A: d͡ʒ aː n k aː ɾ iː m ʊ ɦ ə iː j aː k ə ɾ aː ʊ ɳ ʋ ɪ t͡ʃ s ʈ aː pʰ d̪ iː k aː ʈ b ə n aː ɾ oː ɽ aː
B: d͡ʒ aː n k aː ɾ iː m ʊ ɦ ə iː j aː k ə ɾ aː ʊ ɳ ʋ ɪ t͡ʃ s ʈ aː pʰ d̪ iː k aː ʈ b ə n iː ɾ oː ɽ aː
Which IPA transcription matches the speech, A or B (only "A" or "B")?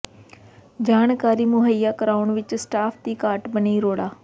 B